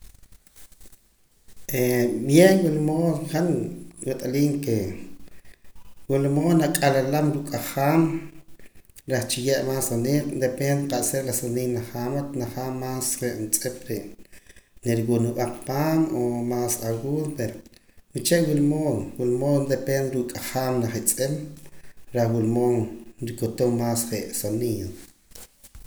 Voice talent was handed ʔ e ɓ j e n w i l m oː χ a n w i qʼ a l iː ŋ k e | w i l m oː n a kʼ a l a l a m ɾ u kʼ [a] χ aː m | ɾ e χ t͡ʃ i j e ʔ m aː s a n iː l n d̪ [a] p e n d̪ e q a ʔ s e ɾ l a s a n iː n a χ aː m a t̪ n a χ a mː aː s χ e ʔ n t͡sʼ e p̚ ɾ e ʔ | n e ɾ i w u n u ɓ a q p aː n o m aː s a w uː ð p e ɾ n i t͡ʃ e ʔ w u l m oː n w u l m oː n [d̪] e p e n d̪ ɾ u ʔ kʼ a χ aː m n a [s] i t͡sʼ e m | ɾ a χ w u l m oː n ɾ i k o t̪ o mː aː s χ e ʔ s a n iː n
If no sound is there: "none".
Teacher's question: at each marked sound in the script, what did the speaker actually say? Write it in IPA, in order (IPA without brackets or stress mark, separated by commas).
a, e, d̪, χ